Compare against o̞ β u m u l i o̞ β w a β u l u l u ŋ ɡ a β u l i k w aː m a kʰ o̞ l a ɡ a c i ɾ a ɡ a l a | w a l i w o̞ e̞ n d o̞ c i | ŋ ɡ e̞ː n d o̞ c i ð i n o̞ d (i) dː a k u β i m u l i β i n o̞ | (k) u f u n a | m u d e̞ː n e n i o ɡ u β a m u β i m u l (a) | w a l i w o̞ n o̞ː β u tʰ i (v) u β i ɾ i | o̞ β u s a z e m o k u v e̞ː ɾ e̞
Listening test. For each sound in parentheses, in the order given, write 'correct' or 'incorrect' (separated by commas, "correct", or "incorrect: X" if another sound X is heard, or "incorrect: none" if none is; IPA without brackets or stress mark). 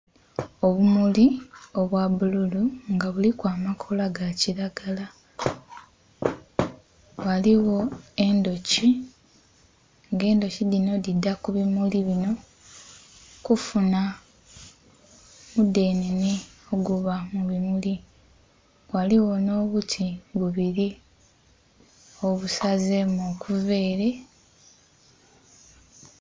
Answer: correct, correct, incorrect: i, incorrect: β